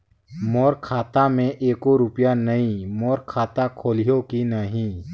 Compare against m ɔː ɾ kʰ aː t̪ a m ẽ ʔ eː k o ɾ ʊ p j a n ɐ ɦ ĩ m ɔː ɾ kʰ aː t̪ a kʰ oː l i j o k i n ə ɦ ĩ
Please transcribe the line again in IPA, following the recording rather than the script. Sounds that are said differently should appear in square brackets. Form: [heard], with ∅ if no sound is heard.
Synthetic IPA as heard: m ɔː ɾ kʰ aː t̪ a m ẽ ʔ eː k o ɾ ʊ p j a n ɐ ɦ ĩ m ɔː ɾ kʰ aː t̪ a kʰ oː l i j o k i n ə ɦ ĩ